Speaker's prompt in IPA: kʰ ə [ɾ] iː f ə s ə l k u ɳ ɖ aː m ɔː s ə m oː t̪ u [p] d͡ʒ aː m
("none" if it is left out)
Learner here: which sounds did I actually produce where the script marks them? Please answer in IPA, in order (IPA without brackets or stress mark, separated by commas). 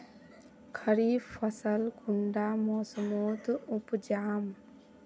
ɾ, p